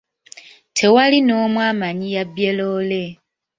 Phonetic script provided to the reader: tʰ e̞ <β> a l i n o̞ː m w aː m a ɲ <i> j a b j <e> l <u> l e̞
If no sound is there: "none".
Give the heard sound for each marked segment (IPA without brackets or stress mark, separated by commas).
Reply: w, i, e, o